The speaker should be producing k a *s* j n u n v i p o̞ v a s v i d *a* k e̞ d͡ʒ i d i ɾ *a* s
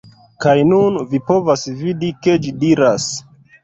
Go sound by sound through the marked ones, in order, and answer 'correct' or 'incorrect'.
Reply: incorrect: none, incorrect: i, correct

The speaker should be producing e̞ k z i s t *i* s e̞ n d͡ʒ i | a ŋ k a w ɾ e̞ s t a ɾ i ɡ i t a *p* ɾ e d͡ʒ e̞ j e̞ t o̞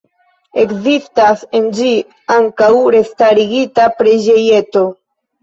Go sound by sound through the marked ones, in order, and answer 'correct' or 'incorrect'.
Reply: incorrect: a, correct

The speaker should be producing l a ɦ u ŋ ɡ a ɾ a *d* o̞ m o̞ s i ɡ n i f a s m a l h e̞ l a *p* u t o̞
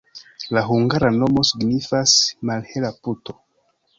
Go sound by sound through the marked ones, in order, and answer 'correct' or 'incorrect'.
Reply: incorrect: n, correct

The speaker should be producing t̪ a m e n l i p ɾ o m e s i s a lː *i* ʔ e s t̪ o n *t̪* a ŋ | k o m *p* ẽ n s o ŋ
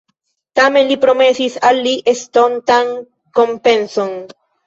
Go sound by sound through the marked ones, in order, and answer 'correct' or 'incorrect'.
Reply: correct, correct, correct

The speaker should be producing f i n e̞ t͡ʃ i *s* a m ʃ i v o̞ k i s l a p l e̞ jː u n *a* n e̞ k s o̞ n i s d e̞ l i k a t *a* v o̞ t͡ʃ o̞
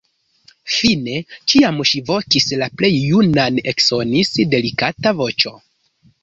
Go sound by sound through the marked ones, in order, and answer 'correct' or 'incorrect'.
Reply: incorrect: none, correct, correct

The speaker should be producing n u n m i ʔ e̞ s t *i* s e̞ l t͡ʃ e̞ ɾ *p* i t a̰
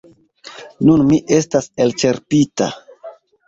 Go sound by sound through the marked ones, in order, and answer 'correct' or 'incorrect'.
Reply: incorrect: a, correct

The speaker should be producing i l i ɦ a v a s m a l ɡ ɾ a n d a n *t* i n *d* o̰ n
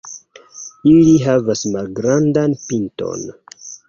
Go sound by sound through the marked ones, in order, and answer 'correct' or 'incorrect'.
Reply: incorrect: p, incorrect: t

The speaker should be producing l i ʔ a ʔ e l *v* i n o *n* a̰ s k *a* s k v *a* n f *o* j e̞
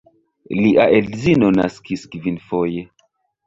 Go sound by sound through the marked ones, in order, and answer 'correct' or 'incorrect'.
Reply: incorrect: z, correct, incorrect: i, incorrect: i, correct

